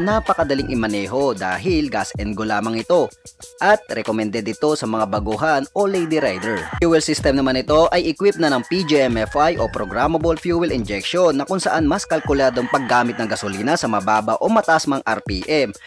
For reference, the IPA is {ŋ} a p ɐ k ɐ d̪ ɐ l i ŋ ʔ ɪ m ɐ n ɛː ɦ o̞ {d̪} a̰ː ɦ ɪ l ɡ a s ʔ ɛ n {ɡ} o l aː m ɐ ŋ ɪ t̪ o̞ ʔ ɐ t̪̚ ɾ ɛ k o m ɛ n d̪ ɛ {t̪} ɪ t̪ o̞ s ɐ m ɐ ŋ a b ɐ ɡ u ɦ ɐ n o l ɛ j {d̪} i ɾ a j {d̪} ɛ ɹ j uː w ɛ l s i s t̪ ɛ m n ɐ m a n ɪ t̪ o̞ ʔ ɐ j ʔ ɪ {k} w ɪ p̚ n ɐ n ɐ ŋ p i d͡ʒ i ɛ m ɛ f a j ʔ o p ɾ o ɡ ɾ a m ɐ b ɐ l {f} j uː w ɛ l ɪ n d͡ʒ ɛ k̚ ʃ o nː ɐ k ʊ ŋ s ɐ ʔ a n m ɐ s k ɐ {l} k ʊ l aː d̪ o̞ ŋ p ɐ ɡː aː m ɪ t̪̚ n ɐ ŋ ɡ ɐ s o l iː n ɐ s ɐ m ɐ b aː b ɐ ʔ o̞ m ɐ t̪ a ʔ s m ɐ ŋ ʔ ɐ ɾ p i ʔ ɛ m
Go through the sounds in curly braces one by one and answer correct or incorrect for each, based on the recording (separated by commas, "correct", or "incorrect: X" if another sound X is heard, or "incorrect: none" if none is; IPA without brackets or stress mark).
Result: incorrect: n, correct, correct, incorrect: d̪, correct, correct, correct, correct, correct